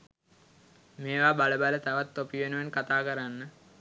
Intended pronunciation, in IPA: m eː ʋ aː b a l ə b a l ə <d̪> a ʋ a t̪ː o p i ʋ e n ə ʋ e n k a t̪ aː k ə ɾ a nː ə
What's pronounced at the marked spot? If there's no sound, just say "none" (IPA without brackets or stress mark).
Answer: t̪